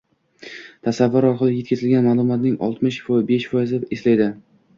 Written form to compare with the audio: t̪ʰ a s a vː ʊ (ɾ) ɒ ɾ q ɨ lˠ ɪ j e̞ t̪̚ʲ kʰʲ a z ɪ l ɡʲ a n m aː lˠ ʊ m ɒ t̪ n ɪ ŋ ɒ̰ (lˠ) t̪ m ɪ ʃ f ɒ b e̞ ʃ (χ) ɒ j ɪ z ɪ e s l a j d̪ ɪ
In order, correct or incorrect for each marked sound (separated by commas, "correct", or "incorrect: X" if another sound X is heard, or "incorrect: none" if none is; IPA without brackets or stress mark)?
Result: correct, correct, incorrect: f